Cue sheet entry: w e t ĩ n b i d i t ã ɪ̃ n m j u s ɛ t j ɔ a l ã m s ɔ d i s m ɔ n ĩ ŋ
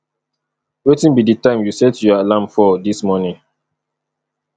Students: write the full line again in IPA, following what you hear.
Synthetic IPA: w e t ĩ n b i d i t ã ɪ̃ m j u s ɛ t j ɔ a l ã m f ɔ d i s m ɔ n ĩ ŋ